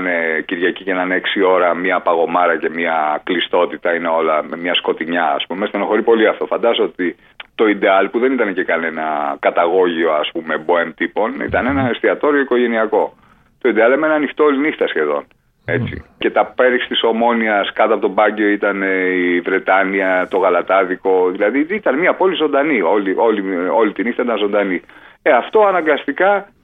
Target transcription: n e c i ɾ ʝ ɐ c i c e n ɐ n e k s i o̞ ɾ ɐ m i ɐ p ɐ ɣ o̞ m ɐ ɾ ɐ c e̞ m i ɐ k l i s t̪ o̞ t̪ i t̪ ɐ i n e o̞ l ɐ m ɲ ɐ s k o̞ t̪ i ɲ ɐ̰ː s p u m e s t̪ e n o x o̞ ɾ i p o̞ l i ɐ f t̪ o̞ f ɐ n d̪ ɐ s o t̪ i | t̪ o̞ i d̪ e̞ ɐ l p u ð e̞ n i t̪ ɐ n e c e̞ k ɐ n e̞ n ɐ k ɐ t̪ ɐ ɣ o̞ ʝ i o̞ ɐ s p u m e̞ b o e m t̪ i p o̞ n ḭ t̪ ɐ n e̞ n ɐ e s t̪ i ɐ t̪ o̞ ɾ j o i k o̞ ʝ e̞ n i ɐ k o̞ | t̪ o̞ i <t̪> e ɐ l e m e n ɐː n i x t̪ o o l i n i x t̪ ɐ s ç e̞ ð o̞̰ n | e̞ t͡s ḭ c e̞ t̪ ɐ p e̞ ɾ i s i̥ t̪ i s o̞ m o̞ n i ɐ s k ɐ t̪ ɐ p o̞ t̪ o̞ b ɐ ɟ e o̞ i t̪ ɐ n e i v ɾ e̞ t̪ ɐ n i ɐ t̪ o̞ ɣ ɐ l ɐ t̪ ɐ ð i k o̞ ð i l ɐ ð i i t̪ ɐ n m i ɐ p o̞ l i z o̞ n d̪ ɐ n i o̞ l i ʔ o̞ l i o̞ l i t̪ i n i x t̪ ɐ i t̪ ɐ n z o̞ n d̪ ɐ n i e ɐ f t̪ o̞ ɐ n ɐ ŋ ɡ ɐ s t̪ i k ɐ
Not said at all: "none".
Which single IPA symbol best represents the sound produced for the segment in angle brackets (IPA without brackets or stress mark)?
d̪